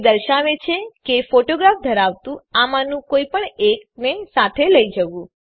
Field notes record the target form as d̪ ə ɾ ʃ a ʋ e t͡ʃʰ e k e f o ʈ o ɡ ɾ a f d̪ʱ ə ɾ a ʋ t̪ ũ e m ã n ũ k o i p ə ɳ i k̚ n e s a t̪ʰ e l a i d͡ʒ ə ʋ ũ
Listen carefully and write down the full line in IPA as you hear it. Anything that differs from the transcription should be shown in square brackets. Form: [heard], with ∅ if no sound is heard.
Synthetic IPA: d̪ ə ɾ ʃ a ʋ e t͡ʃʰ e k e f o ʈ o ɡ ɾ a f d̪ʱ ə ɾ a ʋ t̪ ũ [a] m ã n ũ k o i p ə ɳ [e] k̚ n e s a t̪ʰ e l [ə] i d͡ʒ ə ʋ ũ